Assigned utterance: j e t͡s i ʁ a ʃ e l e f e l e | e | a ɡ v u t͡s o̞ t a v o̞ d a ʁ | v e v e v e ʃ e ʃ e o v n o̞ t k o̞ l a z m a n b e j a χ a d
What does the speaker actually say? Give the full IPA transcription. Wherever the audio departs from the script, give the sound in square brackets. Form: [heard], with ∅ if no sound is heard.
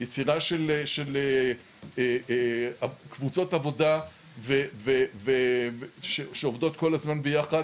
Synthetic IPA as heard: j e t͡s i ʁ a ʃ e l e [ʃ] e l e | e | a [k] v u t͡s o̞ t a v o̞ d a [∅] | v e v e v e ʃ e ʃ e o v [d] o̞ t k o̞ l a z m a n b e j a χ a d